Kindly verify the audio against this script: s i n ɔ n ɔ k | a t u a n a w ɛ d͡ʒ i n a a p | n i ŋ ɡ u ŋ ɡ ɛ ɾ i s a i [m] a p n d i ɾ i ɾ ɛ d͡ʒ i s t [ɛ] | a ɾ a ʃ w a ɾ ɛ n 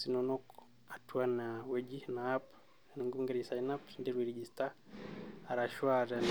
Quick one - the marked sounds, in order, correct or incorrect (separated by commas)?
incorrect, incorrect